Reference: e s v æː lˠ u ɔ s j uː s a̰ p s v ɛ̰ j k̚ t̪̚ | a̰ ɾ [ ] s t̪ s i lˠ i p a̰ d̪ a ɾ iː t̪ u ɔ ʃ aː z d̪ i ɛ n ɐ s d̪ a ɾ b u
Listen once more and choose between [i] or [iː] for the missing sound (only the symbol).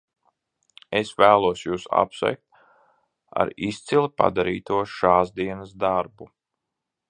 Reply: i